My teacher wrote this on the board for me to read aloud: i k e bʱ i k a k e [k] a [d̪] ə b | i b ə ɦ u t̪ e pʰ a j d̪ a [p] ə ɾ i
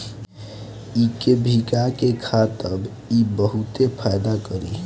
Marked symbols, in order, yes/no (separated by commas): no, no, no